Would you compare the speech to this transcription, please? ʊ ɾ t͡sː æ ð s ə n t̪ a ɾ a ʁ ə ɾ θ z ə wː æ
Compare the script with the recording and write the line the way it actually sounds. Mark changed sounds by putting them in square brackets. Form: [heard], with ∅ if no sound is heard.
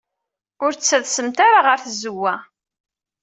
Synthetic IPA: ʊ ɾ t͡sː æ ð s ə [m] t̪ a ɾ a ʁ ə ɾ θ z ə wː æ

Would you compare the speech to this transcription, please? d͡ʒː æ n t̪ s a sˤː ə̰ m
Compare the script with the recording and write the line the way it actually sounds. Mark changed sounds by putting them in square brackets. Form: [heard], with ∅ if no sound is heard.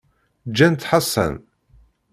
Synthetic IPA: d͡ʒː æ n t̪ [ħ] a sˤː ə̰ [n]

